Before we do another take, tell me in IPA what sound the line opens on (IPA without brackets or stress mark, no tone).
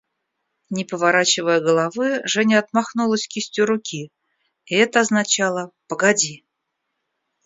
nʲ